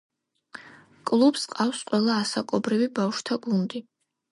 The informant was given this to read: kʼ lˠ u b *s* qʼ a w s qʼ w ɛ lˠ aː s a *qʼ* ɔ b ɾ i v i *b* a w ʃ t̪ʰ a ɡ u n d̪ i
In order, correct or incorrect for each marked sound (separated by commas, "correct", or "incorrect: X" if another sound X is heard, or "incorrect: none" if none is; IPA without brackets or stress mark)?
correct, incorrect: kʼ, correct